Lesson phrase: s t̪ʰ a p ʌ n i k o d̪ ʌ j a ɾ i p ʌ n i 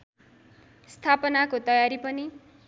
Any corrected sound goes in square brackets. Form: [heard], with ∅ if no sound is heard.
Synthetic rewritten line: s t̪ʰ a p ʌ n [a] k o [t̪] ʌ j a ɾ i p ʌ n i